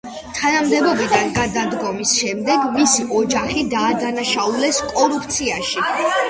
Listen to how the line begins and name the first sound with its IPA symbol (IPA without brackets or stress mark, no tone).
t̪ʰ